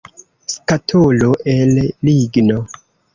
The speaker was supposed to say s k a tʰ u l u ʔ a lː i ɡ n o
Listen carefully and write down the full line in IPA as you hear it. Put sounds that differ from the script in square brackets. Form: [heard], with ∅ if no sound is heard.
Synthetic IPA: s k a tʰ [o] l [o] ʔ [e] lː i ɡ n o